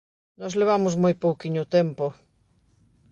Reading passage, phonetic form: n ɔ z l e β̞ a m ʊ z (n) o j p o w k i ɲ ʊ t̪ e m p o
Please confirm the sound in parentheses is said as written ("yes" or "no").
no